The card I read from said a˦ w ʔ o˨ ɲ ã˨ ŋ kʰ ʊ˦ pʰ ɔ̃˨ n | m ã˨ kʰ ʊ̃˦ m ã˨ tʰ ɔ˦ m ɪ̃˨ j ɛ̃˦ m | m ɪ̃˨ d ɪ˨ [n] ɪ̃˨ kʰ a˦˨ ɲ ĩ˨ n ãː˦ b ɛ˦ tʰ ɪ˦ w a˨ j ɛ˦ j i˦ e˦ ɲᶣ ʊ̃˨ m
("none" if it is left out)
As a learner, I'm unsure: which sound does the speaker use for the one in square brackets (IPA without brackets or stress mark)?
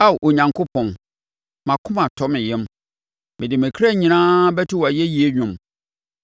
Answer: m